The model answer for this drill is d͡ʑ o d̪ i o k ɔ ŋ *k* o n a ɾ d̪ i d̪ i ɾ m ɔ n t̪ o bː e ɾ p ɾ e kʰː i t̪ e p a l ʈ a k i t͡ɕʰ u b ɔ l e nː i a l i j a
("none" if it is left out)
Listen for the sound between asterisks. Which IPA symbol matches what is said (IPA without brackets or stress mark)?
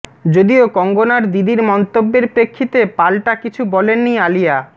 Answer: ɡ